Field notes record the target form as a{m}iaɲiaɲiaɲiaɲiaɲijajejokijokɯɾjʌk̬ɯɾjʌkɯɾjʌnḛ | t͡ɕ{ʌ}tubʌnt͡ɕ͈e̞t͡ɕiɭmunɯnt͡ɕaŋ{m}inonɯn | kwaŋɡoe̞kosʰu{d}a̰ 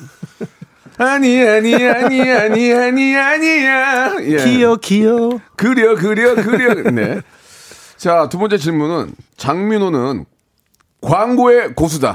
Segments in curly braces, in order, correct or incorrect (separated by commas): incorrect, incorrect, correct, correct